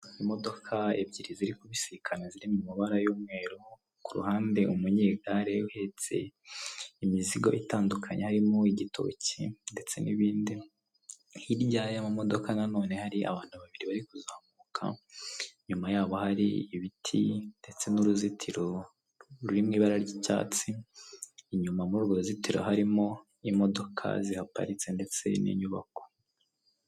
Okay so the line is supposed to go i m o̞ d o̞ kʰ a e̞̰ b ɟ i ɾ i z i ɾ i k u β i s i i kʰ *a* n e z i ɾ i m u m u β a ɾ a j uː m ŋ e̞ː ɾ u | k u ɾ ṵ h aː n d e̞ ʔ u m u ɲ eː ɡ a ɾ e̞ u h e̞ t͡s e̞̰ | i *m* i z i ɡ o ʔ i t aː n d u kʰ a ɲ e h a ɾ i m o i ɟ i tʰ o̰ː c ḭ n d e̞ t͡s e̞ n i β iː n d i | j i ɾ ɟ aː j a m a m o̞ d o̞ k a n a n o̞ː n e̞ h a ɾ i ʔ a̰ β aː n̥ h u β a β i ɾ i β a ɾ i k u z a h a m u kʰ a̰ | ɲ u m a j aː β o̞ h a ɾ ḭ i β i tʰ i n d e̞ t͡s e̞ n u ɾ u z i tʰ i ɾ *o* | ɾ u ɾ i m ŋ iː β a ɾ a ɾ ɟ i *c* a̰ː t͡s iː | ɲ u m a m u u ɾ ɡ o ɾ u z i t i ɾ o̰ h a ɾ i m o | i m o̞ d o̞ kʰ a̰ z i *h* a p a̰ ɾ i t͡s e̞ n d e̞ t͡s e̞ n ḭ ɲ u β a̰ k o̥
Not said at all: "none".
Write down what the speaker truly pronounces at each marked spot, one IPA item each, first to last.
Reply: a, m, o, c, h

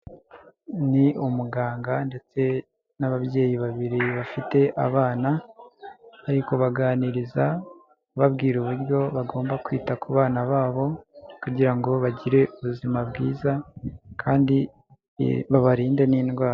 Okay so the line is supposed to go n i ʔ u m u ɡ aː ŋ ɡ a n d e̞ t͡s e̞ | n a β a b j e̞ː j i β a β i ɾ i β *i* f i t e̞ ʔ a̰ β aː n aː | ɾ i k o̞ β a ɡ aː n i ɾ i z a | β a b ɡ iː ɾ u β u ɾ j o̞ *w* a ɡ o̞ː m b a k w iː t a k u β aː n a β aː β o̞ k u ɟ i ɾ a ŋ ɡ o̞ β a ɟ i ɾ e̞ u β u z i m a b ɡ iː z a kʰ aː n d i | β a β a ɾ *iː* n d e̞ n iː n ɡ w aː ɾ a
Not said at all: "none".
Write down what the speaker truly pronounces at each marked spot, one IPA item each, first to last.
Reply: a, β, iː

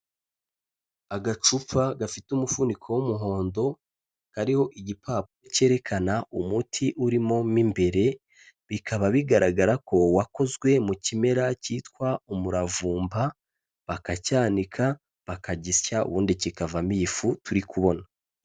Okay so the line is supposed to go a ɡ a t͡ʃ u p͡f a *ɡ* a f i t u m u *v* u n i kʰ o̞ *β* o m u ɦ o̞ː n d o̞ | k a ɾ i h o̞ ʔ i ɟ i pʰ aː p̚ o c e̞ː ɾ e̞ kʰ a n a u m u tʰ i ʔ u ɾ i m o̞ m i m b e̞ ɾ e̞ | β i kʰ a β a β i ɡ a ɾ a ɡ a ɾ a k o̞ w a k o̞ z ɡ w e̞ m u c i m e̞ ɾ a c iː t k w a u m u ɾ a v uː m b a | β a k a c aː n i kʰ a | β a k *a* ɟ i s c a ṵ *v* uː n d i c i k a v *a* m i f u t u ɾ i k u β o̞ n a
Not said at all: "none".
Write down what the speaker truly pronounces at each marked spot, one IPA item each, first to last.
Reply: ɡ, f, w, a, β, a

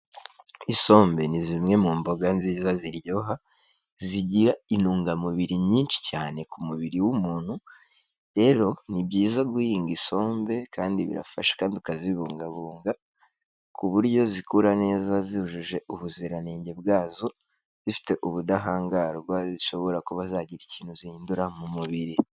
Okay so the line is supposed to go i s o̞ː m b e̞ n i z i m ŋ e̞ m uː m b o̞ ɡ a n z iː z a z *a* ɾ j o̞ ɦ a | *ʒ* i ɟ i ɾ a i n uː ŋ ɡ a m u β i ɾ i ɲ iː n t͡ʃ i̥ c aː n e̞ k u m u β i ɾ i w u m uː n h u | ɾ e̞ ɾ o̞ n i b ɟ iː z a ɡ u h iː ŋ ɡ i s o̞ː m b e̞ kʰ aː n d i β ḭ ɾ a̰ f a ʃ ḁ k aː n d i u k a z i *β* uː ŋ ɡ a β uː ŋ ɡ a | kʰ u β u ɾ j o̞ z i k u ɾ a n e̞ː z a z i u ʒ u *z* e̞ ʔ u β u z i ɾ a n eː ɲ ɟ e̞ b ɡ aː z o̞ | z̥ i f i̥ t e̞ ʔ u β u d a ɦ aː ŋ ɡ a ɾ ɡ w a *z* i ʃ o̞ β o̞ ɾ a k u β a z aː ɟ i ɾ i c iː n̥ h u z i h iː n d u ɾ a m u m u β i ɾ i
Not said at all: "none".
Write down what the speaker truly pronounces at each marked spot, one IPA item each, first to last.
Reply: i, z, β, ʒ, z

